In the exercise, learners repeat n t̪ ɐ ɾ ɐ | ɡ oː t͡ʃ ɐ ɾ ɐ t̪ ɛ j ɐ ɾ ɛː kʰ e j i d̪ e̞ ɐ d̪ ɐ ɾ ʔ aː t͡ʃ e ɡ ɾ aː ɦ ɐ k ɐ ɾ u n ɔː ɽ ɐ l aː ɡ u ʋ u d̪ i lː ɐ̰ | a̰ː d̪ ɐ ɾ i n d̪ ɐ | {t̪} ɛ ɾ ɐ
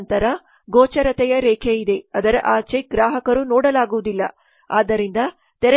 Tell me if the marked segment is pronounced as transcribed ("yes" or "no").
yes